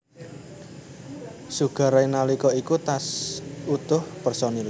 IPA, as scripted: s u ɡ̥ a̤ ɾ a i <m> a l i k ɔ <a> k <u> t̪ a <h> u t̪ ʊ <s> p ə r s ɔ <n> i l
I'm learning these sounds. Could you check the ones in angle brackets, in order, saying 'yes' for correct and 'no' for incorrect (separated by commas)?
no, no, yes, no, no, yes